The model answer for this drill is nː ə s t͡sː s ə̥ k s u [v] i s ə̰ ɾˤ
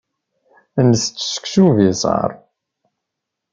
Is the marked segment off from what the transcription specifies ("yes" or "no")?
no